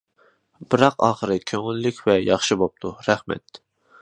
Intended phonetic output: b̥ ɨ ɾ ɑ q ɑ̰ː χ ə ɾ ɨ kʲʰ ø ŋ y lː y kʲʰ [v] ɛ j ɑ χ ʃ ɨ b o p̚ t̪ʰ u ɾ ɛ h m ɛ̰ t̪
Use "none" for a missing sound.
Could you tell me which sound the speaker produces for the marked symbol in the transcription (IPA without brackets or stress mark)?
v